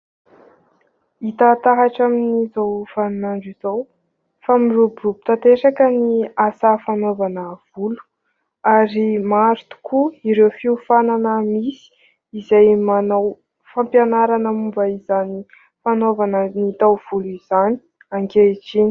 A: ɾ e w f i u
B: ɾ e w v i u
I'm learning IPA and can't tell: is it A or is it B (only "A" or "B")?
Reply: A